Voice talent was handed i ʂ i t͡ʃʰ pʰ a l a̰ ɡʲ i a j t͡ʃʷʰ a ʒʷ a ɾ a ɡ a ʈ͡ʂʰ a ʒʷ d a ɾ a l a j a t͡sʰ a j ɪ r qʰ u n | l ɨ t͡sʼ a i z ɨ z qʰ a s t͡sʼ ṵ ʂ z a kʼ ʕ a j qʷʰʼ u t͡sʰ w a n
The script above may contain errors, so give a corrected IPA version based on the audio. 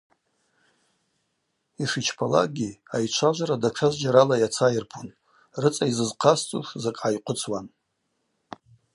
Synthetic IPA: i ʂ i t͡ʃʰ pʰ a l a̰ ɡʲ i a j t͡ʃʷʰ a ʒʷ a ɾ a d a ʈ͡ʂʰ a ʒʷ d͡ʒ a ɾ a l a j a t͡sʰ a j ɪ r pʰ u n | r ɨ t͡sʼ a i z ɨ z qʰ a s t͡sʼ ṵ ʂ z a kʼ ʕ a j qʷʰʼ ʊ t͡sʰ w a n